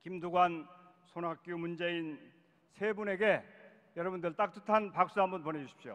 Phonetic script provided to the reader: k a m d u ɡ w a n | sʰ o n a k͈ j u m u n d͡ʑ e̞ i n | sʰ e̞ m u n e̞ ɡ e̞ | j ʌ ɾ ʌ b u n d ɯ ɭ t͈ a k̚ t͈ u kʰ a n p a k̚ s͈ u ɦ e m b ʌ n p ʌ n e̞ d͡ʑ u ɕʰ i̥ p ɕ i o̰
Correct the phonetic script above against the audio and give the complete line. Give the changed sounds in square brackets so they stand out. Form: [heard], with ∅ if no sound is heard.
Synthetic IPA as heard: k [i] m d u ɡ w a n | sʰ o n a k͈ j u m u n d͡ʑ e̞ i n | sʰ e̞ [b] u n e̞ ɡ e̞ | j ʌ ɾ ʌ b u n d ɯ ɭ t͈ a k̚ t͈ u [tʰ] a n p a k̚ s͈ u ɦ [a] m b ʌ n p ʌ n e̞ d͡ʑ u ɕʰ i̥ p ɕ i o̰